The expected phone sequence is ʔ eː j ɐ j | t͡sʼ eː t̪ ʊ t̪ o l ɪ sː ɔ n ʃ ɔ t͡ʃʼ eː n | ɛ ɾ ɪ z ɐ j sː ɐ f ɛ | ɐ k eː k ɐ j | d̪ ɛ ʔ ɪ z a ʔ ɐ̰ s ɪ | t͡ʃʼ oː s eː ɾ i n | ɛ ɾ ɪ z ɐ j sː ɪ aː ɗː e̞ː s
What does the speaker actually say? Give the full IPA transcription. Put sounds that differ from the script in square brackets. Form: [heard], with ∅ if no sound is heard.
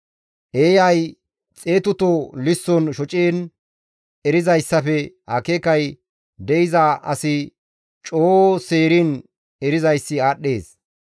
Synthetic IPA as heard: ʔ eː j ɐ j | t͡sʼ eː t̪ ʊ t̪ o l ɪ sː ɔ n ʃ ɔ t͡ʃʼ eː n | ɛ ɾ ɪ z ɐ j sː ɐ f ɛ | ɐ k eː k ɐ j | d̪ ɛ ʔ ɪ z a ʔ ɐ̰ s ɪ | t͡ʃʼ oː s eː ɾ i n | ɛ ɾ ɪ z ɐ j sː ɪ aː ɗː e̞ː s